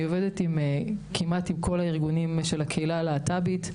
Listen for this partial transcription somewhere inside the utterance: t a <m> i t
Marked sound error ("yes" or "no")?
yes